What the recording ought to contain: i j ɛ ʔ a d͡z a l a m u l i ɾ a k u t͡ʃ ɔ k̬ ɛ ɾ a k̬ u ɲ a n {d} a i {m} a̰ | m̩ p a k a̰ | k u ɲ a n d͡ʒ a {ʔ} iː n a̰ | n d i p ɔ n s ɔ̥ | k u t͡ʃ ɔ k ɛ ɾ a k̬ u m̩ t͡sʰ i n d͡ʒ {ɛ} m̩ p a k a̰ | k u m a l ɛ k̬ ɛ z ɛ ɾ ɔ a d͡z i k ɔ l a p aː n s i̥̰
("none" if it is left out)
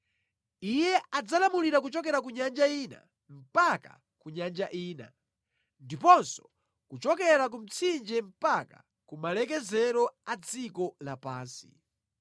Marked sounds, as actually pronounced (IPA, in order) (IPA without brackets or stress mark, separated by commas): d͡ʒ, n, ʔ, ɛ